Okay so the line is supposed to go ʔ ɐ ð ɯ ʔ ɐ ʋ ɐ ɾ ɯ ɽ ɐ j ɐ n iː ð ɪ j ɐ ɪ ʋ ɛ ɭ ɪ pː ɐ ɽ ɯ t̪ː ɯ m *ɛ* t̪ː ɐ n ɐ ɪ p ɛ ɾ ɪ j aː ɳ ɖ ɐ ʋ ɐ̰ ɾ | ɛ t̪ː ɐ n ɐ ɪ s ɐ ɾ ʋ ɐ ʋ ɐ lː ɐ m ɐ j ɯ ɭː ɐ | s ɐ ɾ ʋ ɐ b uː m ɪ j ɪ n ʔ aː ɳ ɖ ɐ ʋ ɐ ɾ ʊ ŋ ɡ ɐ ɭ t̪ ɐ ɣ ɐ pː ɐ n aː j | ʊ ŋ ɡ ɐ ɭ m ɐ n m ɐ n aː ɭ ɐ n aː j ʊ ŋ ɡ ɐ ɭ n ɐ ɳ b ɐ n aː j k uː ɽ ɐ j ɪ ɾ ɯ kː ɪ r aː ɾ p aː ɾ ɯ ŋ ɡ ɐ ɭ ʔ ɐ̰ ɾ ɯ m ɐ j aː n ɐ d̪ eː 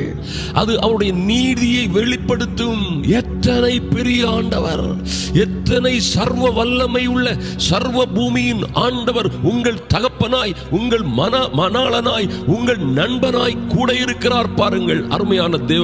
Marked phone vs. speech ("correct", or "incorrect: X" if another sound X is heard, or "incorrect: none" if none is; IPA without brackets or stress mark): correct